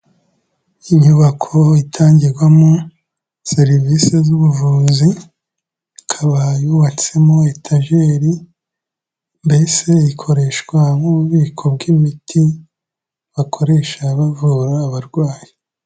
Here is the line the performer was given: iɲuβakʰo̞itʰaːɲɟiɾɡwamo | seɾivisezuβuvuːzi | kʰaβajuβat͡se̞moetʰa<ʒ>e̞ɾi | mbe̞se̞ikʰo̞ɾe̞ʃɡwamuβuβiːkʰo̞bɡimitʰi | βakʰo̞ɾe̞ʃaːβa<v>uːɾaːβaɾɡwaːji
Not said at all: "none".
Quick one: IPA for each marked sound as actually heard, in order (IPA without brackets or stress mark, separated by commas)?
ʒ, v